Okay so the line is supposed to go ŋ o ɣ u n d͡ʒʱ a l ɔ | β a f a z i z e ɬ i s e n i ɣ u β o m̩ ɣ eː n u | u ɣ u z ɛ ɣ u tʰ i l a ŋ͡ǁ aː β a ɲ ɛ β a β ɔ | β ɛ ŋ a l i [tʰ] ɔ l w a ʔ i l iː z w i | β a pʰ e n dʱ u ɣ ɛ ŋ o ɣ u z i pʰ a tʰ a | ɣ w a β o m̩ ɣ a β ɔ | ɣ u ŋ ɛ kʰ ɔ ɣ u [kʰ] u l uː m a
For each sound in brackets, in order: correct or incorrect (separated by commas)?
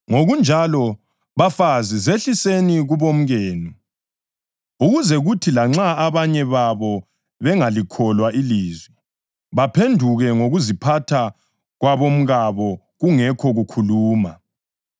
incorrect, correct